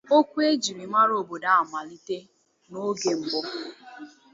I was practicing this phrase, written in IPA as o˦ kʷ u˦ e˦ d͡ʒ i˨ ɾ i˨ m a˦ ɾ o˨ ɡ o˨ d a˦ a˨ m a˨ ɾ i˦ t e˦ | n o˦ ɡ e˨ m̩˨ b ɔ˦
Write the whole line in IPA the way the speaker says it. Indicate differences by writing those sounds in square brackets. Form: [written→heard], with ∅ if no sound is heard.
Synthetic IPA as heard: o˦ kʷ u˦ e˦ d͡ʒ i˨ ɾ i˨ m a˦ ɾ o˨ [ɡ→b] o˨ d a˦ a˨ m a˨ [ɾ→l] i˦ t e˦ | n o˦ ɡ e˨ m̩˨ b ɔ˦